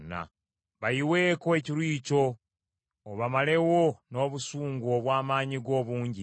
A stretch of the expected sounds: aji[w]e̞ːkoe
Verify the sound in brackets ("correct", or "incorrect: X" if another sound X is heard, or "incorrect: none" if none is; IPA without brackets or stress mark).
correct